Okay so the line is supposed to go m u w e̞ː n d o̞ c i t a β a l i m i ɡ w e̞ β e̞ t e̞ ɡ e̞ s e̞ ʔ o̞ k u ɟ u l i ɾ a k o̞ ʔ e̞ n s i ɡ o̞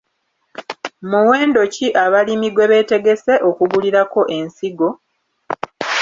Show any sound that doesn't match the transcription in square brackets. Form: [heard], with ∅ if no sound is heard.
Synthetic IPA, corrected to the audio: m u w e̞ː n d o̞ c i [ʔ] a β a l i m i ɡ w e̞ β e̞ t e̞ ɡ e̞ s e̞ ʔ o̞ k u [ɡ] u l i ɾ a k o̞ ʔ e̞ n s i ɡ o̞